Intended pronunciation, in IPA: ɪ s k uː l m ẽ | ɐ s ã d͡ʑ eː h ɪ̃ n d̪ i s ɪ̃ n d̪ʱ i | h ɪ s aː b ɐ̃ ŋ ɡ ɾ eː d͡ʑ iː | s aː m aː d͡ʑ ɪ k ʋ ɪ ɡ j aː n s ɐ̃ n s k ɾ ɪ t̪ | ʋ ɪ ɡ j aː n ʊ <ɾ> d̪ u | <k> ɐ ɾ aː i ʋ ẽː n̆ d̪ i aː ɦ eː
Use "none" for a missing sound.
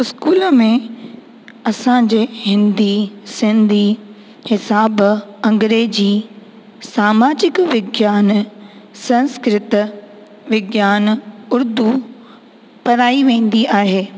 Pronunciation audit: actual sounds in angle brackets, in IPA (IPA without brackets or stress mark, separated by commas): ɾ, p